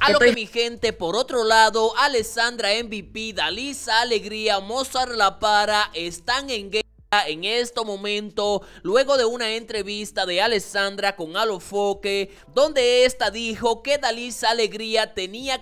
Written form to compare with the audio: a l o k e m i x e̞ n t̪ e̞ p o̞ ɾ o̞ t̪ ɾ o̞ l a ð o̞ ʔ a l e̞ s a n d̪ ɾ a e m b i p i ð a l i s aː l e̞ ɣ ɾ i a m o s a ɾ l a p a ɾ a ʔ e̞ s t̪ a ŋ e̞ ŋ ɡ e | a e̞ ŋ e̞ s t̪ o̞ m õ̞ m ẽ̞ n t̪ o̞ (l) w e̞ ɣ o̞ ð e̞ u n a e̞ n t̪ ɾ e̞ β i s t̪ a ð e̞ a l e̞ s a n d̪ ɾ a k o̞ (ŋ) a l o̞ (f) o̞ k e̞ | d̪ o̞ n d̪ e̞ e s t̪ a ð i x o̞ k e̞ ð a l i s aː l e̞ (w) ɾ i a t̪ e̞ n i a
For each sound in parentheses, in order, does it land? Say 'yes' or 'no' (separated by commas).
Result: yes, yes, yes, no